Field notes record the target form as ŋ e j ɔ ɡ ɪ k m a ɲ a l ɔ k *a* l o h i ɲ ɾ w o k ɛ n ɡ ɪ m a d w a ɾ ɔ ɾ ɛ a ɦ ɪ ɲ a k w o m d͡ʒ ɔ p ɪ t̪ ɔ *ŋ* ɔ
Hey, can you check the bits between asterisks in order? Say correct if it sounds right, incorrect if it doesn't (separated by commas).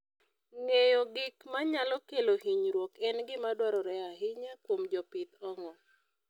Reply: incorrect, correct